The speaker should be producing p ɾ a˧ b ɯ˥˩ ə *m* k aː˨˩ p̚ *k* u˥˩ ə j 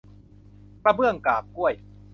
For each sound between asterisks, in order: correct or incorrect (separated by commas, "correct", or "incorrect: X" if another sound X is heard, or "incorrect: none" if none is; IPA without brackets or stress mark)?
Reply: incorrect: ŋ, correct